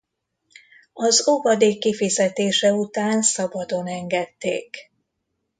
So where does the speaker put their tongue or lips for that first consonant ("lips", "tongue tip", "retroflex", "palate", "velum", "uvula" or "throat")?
tongue tip